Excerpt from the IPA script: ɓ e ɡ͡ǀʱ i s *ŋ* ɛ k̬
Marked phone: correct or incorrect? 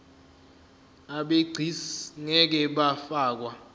correct